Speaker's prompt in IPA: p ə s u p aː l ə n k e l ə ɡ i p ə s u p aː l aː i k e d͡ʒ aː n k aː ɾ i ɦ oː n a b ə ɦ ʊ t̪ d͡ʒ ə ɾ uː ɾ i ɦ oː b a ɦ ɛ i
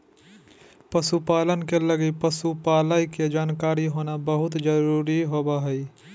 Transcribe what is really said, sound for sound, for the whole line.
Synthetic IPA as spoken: p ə s u p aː l ə n k e l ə ɡ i p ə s u p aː l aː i k e d͡ʒ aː n k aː ɾ i ɦ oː n a b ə ɦ ʊ t̪ d͡ʒ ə ɾ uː ɾ i ɦ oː b a ɦ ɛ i